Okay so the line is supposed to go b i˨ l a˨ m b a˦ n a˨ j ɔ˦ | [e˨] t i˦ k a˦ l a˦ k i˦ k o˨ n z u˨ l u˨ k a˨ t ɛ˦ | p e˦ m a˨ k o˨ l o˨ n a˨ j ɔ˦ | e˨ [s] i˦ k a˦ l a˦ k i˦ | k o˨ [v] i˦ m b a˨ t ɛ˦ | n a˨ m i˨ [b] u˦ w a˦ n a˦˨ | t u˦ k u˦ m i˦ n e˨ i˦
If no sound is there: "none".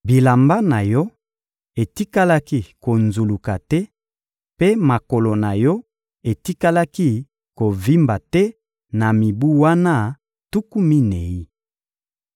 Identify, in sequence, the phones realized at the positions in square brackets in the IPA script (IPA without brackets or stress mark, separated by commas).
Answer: e˨, t, v, b